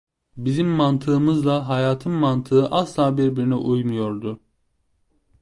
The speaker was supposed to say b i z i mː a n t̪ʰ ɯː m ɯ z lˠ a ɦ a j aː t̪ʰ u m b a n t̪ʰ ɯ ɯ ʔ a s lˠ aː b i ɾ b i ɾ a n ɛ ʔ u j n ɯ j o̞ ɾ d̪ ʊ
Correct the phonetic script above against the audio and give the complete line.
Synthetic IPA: b i z i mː a n t̪ʰ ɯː m ɯ z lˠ a ɦ a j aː t̪ʰ ɯ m m a n t̪ʰ ɯ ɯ ʔ a s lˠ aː b i ɾ b i ɾ i n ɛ ʔ u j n u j o̞ ɾ d̪ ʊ